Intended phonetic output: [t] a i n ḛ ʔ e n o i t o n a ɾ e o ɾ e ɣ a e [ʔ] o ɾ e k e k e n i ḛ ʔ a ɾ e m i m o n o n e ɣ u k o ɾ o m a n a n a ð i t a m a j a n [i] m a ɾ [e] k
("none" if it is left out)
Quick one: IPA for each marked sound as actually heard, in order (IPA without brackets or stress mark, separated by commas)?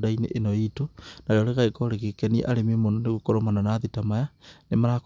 d, k, e, a